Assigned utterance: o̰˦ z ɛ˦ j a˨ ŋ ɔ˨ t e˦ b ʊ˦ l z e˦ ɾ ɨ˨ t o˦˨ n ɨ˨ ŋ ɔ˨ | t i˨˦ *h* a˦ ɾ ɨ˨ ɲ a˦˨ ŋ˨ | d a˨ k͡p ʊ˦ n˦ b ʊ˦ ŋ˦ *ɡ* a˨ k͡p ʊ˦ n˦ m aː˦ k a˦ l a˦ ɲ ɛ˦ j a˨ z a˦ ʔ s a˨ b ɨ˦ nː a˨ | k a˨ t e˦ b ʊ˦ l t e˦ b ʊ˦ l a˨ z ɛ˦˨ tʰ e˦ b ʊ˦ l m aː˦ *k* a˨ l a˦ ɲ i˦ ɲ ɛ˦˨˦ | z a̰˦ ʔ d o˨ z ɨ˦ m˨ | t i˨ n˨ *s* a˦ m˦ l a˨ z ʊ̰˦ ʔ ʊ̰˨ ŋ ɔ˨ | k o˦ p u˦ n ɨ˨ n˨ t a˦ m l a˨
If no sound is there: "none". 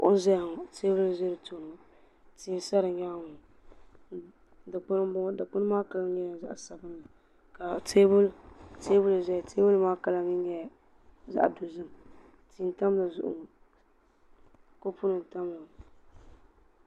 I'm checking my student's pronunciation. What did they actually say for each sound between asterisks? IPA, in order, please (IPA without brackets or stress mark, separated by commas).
s, d, k, t